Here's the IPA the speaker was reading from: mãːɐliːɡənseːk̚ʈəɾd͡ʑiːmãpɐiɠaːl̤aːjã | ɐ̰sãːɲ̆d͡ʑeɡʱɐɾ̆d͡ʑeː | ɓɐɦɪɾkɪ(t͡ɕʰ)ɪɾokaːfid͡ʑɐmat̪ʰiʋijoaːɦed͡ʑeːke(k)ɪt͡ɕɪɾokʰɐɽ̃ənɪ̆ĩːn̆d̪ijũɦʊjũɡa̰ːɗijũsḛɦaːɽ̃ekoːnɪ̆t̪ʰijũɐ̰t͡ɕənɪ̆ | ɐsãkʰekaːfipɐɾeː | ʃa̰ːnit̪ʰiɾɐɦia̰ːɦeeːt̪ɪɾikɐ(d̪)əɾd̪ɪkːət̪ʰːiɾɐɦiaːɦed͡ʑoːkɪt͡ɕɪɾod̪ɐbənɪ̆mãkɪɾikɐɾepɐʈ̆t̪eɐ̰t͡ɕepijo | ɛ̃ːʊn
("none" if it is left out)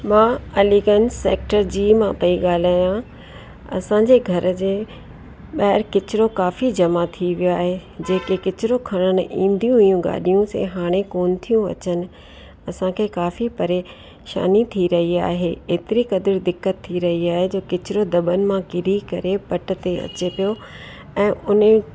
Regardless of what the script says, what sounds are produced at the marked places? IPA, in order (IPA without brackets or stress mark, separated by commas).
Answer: t͡ɕ, k, d̪